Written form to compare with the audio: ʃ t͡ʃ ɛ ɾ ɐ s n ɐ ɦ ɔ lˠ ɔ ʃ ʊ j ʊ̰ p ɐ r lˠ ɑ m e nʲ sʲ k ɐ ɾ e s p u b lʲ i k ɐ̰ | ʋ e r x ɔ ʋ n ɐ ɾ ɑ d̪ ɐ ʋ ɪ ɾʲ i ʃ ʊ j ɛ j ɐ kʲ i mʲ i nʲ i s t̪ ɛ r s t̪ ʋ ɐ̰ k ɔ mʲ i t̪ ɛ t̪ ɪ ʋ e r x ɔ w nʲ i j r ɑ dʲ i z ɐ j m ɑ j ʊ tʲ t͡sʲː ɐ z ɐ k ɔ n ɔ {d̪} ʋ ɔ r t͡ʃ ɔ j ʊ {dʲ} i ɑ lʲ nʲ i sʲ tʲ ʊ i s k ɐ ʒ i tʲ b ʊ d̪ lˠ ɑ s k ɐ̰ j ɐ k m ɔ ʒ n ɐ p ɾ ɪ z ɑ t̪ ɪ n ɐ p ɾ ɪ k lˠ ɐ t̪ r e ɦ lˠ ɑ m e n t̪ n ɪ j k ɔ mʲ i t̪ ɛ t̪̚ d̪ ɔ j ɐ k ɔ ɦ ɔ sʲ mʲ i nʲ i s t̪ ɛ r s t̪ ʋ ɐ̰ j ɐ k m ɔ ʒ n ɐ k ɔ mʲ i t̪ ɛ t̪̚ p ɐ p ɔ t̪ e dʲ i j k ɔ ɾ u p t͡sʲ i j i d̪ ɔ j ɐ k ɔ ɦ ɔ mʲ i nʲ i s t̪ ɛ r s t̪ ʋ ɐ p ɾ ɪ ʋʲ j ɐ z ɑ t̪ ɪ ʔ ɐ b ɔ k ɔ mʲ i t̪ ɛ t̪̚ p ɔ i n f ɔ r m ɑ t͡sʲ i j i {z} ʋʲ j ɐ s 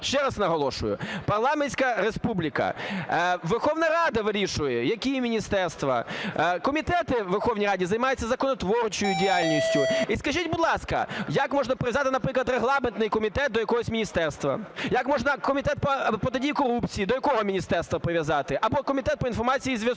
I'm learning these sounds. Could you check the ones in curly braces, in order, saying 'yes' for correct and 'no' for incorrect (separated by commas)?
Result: no, yes, yes